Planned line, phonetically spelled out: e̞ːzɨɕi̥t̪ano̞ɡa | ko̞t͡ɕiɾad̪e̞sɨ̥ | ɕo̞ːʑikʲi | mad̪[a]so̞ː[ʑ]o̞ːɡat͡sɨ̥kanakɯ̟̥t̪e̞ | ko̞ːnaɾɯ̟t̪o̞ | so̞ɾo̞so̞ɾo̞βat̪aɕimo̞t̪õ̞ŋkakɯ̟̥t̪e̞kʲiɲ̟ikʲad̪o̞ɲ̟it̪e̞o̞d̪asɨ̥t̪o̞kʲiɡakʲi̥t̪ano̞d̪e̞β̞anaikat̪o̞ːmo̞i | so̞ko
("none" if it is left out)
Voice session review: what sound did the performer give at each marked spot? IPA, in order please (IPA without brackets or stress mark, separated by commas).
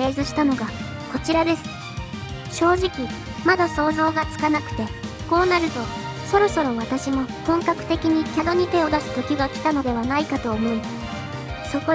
a, z